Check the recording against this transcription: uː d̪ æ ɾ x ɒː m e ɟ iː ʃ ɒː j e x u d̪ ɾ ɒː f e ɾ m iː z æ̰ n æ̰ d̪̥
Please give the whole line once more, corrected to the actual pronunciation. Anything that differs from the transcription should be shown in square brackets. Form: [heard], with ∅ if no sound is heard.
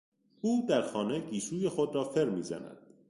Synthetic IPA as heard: uː d̪ æ ɾ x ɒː [n] e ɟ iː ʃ [uː] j e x [o] d̪ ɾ ɒː f e ɾ m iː z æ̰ n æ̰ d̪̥